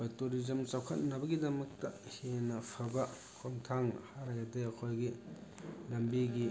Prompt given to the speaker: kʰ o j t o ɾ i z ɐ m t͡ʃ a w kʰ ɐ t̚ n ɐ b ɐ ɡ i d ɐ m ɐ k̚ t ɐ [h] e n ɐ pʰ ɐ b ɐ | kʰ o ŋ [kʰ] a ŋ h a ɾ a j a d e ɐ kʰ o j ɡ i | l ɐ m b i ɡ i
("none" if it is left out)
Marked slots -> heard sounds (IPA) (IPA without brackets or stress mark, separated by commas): h, tʰ